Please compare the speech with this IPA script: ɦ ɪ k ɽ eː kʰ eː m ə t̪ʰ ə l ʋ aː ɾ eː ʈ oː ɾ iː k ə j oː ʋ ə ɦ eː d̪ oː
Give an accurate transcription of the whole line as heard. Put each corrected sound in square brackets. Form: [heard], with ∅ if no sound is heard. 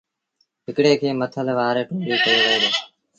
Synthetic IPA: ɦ ɪ k ɽ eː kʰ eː m ə t̪ʰ ə l ʋ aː ɾ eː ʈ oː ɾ iː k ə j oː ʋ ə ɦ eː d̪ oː

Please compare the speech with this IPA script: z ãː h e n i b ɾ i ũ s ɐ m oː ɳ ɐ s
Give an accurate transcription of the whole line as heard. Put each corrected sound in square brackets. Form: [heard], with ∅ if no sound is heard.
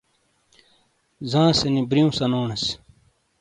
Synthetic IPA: z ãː [s] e n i b ɾ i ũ s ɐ [n] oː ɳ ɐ s

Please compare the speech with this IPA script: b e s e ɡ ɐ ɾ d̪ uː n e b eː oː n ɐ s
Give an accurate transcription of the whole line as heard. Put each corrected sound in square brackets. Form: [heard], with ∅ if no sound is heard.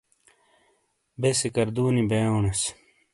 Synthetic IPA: b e s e [k] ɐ ɾ d̪ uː n [i] b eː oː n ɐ s

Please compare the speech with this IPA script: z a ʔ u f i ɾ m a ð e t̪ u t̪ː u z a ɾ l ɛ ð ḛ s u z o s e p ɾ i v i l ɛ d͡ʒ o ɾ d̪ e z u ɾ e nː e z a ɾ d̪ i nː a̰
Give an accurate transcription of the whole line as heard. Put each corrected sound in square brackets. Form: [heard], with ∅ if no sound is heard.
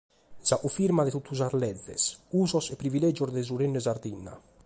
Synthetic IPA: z a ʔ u f i ɾ m a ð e t̪ u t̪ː u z a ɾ l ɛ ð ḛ s u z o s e p ɾ i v i l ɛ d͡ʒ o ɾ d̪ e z u ɾ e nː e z a ɾ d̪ i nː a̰

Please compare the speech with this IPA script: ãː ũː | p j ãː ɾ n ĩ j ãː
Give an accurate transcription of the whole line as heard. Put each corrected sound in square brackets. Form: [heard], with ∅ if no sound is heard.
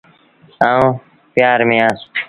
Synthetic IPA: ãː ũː | p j [aː] ɾ [m] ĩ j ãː

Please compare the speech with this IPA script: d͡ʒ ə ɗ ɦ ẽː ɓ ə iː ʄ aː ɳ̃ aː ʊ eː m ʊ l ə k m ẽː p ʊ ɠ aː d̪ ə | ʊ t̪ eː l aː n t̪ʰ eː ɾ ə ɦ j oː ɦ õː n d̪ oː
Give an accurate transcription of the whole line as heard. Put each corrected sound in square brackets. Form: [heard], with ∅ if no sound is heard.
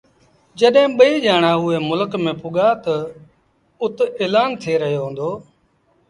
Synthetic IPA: d͡ʒ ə ɗ ɦ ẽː ɓ ə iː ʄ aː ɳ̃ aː ʊ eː m ʊ l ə k m ẽː p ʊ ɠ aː [t̪] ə | ʊ t̪ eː l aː n t̪ʰ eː ɾ ə ɦ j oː ɦ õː n d̪ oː

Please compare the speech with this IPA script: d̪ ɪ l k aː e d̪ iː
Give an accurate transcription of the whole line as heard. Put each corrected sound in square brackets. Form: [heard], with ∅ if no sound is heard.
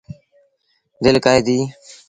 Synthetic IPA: d̪ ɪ l k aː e d̪ iː

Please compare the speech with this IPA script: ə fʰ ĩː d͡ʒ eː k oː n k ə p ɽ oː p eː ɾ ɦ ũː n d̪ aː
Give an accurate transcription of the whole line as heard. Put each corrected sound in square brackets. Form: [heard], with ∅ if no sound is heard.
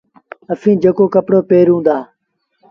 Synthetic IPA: ə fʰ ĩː d͡ʒ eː k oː [∅] k ə p ɽ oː p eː ɾ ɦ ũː n d̪ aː

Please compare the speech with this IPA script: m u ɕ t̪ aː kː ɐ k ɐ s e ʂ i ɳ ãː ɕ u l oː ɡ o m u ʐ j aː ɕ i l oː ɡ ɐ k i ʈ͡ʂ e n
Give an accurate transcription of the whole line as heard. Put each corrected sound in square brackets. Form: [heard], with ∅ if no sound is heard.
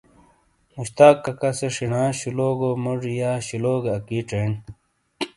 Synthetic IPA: m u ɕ t̪ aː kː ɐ k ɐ s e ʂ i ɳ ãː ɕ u l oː ɡ o m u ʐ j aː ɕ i l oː ɡ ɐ k i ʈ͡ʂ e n

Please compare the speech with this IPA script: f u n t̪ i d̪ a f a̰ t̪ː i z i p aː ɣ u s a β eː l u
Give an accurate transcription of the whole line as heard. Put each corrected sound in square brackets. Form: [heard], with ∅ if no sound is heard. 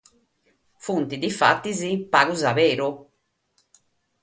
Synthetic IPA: f u n t̪ i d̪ [i] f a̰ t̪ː i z i p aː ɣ u [z] a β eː [ɾ] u

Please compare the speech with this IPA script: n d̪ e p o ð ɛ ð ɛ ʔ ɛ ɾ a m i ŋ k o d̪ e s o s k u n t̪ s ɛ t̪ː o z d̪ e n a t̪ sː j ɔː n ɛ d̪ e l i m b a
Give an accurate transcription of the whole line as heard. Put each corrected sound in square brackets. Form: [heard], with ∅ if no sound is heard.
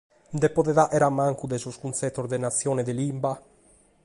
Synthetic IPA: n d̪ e p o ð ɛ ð [a] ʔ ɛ ɾ a m [a] ŋ k [u] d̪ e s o s k u n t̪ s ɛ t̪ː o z d̪ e n a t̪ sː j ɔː n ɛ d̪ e l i m b a

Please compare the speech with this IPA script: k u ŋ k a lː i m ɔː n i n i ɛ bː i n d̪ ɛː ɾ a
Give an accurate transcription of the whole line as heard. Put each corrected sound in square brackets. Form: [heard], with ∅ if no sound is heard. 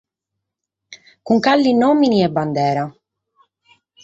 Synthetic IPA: k u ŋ k a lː i [n] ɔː [m] i n i ɛ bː [a] n d̪ ɛː ɾ a

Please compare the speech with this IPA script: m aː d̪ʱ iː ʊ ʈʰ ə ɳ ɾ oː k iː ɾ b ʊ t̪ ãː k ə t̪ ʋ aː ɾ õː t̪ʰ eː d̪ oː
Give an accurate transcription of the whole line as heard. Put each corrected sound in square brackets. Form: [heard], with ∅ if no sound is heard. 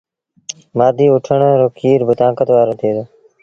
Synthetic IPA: m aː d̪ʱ iː ʊ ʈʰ ə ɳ ɾ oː k iː ɾ b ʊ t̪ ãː k ə t̪ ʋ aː ɾ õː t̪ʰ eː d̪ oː

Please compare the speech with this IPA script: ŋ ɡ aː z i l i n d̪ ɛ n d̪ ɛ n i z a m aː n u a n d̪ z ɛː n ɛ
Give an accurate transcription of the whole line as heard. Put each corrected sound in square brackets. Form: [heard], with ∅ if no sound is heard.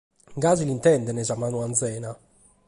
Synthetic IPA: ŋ ɡ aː z i l i n [t̪] ɛ n d̪ ɛ n [ɛ] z a m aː n u a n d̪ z ɛː n [a]

